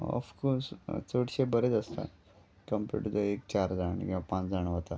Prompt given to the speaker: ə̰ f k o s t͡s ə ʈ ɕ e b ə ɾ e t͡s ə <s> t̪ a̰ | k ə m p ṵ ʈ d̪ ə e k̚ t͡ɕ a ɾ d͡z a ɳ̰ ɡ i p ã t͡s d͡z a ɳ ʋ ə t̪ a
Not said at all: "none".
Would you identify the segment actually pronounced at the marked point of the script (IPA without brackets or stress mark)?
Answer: s